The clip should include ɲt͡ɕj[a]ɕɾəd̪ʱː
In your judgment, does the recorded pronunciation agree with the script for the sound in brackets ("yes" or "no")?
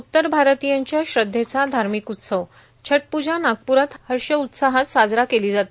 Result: yes